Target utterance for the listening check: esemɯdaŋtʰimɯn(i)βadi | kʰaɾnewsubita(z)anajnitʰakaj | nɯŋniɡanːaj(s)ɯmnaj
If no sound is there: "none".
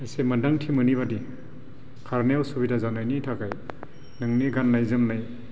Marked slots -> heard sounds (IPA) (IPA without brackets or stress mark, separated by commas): i, z, z